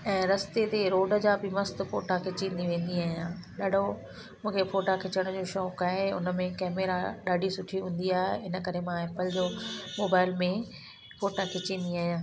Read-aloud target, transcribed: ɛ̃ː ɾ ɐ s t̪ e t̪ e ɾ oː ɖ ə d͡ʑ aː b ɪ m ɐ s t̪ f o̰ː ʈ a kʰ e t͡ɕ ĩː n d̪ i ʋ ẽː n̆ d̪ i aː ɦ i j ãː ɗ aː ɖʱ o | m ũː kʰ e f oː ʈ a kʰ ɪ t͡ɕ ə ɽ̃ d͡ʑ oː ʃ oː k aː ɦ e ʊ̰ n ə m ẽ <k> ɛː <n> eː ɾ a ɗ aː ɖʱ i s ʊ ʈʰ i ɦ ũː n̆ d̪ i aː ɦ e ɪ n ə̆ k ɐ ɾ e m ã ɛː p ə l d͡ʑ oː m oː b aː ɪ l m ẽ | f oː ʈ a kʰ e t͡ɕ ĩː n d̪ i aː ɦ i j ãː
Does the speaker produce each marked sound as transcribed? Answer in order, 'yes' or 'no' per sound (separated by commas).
yes, no